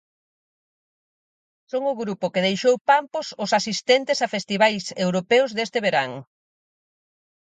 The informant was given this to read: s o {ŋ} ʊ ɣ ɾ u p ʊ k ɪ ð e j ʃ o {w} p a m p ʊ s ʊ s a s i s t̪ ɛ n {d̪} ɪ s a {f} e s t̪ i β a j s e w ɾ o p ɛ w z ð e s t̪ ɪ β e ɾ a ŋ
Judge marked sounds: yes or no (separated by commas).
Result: yes, yes, no, yes